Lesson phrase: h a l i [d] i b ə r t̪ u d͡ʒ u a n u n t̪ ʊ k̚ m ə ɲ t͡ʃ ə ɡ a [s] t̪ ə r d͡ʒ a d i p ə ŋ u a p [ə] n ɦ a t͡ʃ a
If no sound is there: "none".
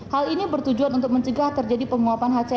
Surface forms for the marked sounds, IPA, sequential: n, h, a

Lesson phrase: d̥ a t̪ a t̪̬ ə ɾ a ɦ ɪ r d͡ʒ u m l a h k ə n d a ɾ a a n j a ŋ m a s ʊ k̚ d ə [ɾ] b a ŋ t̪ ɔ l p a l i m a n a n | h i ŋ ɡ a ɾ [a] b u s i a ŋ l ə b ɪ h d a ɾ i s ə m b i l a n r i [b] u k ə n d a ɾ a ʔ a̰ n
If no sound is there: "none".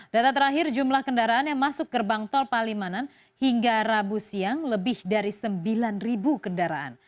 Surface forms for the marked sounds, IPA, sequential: r, a, b

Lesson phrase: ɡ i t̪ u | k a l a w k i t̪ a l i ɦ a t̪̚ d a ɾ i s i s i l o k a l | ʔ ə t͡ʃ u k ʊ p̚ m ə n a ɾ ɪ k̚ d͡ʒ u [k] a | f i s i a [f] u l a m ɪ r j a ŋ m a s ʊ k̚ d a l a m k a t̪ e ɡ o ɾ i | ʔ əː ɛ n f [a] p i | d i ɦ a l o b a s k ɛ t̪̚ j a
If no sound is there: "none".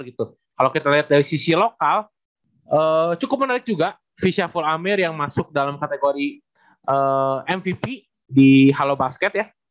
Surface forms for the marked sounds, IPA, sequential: ɡ, f, i

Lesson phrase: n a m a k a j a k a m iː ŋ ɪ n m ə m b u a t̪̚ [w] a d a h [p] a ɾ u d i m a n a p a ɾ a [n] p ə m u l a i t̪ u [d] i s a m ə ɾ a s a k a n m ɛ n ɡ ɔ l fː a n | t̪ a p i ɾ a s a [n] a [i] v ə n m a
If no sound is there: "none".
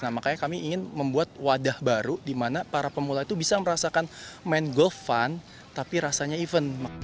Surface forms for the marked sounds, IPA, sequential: w, b, none, b, ɲ, i

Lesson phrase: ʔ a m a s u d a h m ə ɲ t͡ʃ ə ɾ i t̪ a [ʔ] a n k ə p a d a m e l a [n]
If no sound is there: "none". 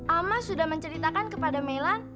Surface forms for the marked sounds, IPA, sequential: k, n

